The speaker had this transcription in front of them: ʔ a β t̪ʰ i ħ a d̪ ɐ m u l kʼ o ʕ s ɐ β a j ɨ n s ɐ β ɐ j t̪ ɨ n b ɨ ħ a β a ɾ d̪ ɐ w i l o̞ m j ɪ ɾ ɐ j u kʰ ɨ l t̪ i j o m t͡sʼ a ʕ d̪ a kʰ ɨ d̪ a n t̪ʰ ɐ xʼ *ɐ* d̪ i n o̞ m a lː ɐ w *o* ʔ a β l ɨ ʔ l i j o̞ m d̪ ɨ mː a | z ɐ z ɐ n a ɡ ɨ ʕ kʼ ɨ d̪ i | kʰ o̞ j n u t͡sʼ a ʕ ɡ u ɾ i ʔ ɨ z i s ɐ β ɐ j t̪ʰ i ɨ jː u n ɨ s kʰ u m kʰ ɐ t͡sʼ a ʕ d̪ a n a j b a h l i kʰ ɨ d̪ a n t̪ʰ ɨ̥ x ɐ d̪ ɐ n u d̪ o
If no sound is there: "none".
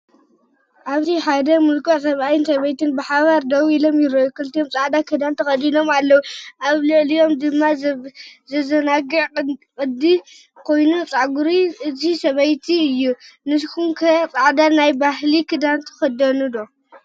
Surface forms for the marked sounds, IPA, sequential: ɐ, u

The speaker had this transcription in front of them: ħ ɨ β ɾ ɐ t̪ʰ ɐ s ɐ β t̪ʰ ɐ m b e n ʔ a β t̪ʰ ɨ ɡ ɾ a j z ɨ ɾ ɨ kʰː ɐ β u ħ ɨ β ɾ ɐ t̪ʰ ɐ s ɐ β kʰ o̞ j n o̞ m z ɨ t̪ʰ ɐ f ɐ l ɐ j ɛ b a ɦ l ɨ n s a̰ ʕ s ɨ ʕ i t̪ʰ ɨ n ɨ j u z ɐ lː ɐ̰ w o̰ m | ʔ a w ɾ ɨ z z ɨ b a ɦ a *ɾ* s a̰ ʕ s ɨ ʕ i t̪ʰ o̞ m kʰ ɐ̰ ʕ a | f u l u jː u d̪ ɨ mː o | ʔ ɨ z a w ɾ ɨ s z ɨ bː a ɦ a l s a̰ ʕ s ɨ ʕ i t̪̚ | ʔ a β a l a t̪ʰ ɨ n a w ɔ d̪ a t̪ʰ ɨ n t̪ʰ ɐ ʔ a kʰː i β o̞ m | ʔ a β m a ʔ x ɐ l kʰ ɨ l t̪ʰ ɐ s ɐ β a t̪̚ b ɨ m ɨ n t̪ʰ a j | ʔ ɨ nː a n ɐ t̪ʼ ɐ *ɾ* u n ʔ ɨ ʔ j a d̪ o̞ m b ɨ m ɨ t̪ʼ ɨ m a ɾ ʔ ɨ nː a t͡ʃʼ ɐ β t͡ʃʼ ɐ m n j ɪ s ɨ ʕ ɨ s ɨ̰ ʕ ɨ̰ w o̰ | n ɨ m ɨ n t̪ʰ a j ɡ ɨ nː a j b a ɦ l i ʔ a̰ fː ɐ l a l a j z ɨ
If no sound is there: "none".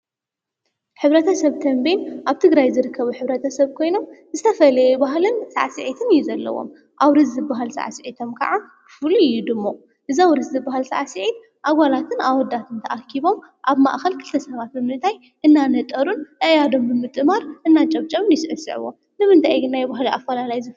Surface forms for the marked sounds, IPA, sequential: l, ɾ

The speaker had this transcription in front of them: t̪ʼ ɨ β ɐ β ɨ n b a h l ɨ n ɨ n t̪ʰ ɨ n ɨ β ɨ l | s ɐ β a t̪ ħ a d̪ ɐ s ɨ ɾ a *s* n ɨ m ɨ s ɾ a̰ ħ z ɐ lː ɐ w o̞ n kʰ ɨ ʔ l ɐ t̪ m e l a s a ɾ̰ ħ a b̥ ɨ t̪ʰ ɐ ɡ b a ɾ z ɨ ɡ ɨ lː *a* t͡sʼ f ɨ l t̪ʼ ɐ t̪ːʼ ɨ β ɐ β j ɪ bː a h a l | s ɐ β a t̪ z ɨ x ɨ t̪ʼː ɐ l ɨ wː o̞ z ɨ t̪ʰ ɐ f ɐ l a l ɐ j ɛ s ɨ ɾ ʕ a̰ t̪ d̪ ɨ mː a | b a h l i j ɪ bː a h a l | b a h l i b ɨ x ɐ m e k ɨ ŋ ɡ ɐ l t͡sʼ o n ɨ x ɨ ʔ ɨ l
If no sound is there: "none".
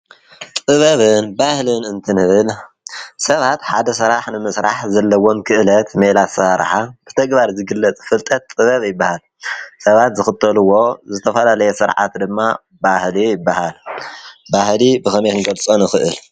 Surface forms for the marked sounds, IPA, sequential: ħ, ɐ

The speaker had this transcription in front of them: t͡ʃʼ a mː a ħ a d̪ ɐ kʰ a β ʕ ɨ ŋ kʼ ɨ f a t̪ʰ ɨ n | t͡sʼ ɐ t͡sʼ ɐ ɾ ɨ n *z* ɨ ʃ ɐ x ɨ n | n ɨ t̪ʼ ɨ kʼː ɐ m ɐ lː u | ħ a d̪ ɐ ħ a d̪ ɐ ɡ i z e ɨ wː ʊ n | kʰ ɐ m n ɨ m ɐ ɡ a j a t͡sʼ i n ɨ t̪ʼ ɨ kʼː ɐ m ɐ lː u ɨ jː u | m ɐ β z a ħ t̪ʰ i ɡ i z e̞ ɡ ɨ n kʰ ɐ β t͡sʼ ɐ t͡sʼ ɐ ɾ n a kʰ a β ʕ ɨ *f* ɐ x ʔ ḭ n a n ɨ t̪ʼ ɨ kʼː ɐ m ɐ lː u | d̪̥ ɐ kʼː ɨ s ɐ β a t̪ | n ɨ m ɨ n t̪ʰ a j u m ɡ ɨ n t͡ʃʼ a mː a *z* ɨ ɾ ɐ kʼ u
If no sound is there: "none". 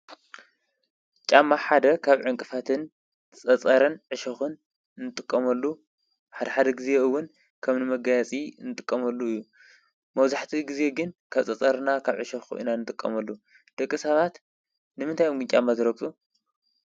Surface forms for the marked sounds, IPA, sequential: ʕ, ʃ, z

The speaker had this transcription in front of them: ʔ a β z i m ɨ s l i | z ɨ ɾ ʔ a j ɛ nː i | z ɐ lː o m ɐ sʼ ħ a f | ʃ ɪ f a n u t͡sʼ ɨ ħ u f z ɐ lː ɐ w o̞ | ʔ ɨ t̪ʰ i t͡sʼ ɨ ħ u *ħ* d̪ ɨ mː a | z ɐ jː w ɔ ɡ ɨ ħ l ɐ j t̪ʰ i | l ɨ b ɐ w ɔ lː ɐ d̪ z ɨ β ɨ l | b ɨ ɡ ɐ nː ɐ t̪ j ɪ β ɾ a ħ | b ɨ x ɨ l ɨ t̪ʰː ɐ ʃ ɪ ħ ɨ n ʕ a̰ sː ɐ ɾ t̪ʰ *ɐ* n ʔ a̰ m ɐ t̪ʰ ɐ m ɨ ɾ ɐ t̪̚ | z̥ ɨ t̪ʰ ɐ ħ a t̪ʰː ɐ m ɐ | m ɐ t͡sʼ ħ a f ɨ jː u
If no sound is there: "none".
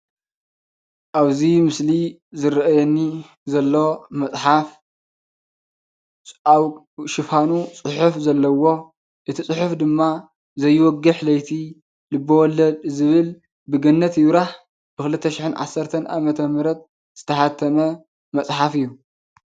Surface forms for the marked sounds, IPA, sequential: f, ɐ

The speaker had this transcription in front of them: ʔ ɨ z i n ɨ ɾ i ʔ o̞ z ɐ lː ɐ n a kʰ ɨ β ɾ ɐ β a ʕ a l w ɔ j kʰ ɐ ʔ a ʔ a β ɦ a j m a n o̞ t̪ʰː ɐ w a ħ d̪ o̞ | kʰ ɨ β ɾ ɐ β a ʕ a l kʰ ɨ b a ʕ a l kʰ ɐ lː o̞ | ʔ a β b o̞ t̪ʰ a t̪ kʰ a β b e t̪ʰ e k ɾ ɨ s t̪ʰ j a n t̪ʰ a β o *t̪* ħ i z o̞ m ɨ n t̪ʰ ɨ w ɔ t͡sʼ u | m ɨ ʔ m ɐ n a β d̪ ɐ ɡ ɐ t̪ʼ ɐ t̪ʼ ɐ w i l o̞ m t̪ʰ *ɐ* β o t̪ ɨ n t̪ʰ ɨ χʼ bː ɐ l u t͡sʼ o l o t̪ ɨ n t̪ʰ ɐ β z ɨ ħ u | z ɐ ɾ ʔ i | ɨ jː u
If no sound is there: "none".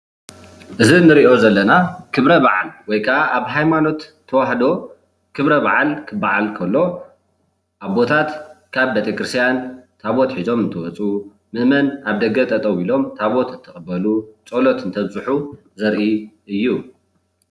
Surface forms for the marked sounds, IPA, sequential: t̪, a

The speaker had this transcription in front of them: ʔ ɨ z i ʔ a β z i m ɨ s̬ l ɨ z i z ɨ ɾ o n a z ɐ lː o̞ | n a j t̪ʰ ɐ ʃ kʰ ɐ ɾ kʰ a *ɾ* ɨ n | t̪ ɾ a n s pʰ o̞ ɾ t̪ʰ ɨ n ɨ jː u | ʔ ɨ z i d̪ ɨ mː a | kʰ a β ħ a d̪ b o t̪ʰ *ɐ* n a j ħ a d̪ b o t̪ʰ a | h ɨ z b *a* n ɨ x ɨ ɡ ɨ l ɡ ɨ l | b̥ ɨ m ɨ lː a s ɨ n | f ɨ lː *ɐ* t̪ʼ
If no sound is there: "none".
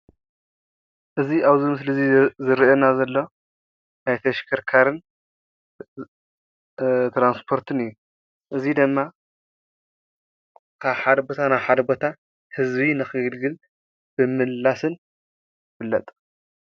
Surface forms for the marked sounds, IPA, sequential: ɾ, a, i, ɐ

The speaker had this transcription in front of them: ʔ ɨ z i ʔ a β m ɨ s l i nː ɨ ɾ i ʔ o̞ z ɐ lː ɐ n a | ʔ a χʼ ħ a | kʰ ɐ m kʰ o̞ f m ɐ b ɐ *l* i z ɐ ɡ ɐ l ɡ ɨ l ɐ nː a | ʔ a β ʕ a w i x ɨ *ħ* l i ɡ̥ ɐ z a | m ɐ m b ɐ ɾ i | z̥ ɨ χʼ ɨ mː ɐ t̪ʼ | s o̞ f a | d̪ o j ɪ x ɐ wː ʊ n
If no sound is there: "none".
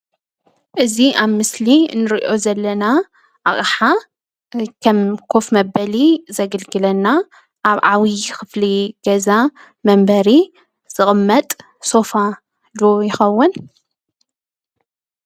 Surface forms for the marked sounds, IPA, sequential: l, f

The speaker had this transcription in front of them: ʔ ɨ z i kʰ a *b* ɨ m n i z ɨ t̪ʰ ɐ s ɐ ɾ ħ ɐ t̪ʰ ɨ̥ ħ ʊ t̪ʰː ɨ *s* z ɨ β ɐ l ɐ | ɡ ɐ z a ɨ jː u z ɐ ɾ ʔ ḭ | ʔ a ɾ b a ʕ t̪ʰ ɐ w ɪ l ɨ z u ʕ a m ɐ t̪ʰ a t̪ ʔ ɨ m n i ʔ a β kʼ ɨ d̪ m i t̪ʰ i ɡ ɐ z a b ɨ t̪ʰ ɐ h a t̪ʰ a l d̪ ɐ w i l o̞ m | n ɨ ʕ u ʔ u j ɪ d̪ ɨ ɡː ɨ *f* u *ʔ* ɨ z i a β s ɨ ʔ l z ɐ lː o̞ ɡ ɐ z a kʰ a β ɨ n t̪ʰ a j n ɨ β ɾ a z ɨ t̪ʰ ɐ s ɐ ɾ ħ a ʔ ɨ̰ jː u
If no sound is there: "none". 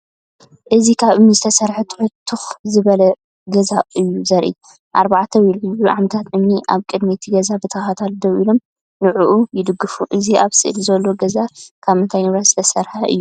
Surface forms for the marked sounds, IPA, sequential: β, x, f, ʔ

